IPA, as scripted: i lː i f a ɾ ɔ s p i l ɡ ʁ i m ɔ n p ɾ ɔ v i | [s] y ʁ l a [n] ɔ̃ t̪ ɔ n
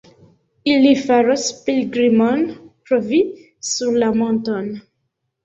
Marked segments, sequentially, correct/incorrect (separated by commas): correct, incorrect